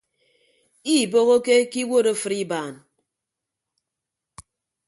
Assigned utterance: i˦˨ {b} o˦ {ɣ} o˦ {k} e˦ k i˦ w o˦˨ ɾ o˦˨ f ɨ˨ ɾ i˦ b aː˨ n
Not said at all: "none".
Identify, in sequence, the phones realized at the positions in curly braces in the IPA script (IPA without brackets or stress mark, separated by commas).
b, ɣ, k